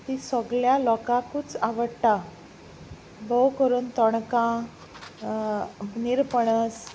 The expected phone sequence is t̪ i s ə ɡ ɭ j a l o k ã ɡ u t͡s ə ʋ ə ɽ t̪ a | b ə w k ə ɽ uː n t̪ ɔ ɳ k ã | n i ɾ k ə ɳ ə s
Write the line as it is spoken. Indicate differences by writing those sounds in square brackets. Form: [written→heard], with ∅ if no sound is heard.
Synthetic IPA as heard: t̪ i s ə ɡ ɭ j a l [o→ɔ] k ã [ɡ→k] u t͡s [ə→a] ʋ ə ɽ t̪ a | b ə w k ə [ɽ→ɾ] uː n t̪ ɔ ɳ k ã | n i ɾ [k→p] ə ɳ ə s